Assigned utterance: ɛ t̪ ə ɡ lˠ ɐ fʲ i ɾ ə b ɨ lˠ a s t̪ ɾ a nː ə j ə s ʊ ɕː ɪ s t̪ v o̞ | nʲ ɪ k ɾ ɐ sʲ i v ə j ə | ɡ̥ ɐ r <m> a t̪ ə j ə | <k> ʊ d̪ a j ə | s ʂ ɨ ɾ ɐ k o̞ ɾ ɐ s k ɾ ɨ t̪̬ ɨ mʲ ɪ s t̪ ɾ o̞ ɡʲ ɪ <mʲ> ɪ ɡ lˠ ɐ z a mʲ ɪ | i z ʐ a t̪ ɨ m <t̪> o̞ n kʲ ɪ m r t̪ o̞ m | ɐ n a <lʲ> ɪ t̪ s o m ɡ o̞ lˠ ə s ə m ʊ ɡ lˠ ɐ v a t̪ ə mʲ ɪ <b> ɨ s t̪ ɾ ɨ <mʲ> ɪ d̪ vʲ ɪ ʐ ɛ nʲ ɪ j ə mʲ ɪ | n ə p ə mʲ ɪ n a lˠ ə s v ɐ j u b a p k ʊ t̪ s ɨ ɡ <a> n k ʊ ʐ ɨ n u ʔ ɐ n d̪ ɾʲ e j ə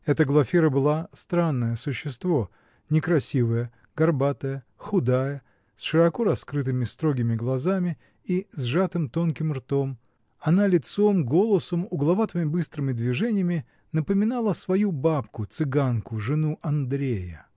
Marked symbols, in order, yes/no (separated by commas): no, no, yes, yes, yes, yes, yes, yes